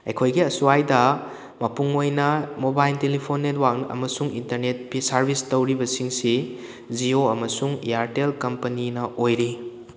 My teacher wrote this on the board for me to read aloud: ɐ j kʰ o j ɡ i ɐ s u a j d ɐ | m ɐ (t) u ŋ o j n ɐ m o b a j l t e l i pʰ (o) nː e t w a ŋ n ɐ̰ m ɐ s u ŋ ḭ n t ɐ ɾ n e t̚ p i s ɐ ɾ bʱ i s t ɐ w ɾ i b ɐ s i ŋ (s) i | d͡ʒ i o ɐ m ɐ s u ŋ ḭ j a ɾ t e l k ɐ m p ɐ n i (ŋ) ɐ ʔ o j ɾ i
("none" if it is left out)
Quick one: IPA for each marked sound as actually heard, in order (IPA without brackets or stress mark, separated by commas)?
p, o, s, n